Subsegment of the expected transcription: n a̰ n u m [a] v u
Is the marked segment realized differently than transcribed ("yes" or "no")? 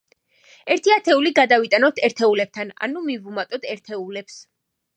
yes